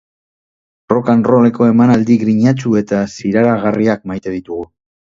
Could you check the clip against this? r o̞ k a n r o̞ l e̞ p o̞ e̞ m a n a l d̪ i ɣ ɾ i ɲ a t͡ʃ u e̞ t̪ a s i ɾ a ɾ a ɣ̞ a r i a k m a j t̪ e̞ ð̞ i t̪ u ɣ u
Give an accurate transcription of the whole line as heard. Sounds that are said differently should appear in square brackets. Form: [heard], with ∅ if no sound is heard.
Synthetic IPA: r o̞ k a n r o̞ l e̞ [k] o̞ e̞ m a n a l d̪ i ɣ ɾ i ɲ a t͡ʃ u e̞ t̪ a s i ɾ a ɾ a ɣ̞ a r i a k m a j t̪ e̞ ð̞ i t̪ u ɣ u